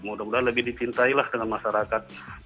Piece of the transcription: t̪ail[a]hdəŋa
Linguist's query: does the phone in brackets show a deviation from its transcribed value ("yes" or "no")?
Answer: no